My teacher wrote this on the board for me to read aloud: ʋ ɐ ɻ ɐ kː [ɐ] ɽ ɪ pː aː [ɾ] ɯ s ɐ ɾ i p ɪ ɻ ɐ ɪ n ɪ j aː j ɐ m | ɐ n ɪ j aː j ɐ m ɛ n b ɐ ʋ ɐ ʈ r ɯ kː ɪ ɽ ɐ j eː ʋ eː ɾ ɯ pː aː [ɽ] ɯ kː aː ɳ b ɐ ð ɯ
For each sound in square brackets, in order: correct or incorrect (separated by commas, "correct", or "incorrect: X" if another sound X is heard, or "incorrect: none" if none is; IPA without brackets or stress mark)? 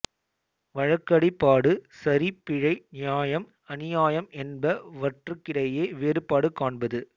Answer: correct, incorrect: ɽ, correct